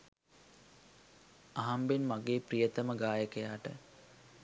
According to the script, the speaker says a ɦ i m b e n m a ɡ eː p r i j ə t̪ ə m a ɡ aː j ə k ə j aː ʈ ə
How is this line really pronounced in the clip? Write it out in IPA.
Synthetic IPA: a ɦ a m b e n m a ɡ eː p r i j ə t̪ ə m ə ɡ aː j ə k ə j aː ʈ ə